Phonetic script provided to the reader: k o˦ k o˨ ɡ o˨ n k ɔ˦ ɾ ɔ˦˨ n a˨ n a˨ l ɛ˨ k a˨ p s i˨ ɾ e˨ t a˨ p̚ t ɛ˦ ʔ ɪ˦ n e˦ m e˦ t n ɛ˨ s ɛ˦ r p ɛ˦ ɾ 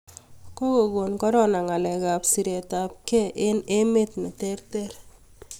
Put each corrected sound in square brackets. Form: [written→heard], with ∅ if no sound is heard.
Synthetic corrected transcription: k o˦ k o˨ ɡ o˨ n k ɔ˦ ɾ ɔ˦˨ n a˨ [n→ŋ] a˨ l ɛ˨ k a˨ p s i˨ ɾ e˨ t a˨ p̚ [t→k] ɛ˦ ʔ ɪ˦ n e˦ m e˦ t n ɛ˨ [s→t] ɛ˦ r [p→t] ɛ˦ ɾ